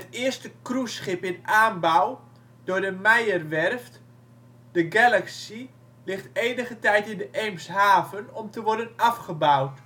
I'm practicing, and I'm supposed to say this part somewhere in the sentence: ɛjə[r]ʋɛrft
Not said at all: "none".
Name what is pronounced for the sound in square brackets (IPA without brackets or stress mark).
r